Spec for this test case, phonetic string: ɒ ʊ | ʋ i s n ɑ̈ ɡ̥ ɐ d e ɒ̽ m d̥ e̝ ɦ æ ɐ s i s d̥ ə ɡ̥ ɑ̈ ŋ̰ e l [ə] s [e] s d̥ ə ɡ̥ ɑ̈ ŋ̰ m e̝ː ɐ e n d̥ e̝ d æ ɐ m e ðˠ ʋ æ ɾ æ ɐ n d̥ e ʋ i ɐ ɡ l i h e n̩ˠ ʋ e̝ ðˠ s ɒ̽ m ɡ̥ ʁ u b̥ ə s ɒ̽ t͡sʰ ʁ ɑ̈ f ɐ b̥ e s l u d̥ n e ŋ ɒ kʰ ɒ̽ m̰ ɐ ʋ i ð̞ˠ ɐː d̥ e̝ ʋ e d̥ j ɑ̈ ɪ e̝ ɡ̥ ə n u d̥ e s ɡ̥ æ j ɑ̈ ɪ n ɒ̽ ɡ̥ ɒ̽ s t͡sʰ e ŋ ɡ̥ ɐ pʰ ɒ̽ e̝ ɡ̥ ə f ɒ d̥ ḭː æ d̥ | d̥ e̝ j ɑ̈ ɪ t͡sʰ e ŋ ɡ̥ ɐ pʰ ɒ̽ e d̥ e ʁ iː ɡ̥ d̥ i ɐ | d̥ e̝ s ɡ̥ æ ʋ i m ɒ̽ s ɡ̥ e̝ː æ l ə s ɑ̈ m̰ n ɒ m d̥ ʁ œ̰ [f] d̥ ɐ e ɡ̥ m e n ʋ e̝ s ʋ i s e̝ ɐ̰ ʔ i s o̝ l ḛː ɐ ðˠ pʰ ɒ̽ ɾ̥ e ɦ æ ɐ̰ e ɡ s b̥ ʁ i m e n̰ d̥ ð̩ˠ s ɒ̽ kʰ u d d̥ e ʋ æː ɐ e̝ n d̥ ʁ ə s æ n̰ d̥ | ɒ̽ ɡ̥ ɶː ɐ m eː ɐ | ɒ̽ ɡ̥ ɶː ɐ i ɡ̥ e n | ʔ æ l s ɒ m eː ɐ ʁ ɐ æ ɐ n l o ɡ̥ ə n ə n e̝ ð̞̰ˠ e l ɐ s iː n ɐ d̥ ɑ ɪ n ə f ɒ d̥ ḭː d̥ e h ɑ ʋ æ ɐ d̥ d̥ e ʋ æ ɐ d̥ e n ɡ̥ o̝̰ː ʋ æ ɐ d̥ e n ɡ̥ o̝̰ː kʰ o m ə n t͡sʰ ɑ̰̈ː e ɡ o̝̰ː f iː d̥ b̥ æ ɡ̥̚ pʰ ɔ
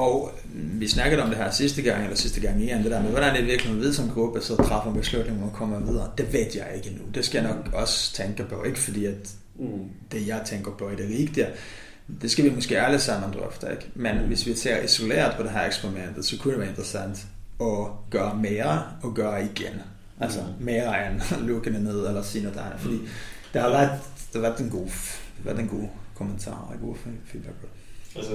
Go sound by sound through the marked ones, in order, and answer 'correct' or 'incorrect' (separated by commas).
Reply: incorrect, incorrect, correct